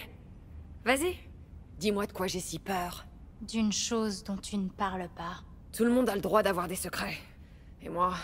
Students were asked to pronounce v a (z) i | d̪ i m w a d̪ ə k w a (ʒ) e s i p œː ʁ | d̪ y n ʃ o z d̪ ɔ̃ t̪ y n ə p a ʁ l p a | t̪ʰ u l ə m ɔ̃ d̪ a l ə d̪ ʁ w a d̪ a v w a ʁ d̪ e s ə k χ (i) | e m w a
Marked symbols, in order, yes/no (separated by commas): yes, yes, no